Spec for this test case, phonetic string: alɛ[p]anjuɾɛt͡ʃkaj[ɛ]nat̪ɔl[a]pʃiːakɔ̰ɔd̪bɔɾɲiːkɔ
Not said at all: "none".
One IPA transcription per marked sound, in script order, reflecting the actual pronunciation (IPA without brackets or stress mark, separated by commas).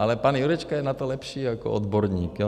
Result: p, ɛ, ɛ